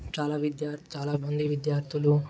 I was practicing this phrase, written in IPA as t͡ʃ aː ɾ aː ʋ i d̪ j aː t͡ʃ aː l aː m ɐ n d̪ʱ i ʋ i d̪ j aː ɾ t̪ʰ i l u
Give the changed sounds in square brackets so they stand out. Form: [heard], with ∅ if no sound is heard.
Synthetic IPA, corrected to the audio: t͡ʃ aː [l] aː ʋ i d̪ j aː t͡ʃ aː l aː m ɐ n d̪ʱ i ʋ i d̪ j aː ɾ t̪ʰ i l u